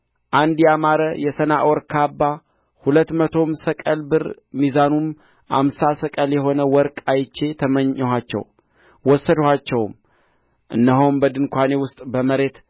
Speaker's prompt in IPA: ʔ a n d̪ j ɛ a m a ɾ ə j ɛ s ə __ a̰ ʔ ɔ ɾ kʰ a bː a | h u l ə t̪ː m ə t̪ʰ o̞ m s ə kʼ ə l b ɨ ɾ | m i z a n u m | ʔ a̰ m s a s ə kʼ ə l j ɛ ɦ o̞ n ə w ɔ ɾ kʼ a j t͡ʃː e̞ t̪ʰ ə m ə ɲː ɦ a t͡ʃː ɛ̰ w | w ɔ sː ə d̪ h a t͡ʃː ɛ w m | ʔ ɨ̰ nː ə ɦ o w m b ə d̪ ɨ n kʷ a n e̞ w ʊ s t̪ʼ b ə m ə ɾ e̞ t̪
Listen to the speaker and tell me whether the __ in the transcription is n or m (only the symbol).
n